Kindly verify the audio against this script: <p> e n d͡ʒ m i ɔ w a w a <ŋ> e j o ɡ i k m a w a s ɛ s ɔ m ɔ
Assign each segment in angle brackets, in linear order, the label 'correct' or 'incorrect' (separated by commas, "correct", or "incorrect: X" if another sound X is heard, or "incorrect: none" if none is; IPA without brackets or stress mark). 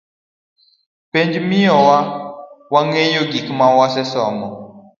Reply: correct, correct